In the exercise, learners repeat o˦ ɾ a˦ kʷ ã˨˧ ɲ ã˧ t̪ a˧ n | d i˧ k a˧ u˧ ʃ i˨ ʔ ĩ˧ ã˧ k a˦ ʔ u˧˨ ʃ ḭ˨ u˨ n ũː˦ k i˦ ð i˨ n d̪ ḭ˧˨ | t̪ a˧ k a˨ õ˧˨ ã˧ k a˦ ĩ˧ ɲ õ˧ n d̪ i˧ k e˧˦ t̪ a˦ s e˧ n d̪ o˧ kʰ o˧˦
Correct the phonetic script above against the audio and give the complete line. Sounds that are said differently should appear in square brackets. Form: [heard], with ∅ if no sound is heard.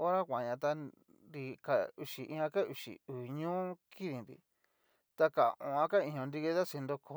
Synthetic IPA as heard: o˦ ɾ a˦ kʷ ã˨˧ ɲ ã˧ t̪ a˧ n | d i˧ k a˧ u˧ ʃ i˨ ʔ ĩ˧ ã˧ k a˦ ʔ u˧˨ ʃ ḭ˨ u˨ [ɲ] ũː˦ k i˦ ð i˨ n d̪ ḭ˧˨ | t̪ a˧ k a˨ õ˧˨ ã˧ k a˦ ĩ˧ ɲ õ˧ n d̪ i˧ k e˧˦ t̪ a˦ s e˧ n d̪ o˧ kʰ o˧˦